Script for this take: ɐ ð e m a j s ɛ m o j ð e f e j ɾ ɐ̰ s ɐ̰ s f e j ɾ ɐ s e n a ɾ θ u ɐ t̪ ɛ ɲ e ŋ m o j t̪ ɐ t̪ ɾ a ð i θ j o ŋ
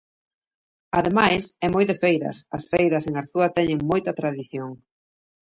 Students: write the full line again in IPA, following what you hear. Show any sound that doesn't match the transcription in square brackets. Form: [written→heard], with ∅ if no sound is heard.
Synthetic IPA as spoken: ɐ ð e m a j s ɛ m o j ð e f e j ɾ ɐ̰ s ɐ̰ s f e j ɾ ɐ s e [n→ŋ] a ɾ θ u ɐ t̪ ɛ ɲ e ŋ m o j t̪ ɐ t̪ ɾ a ð i θ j o ŋ